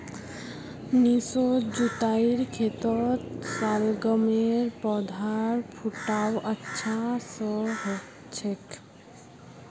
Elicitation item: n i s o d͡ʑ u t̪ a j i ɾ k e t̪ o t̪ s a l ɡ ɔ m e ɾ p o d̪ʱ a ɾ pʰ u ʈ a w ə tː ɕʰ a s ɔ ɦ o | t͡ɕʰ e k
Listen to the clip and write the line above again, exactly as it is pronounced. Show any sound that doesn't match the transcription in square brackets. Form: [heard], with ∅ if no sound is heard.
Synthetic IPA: n i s o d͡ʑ u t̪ a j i ɾ [kʰ] e t̪ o t̪ s a l ɡ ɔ m e ɾ p [ɔ] d̪ʱ a ɾ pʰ u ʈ a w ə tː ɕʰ a s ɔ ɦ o | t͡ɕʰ e k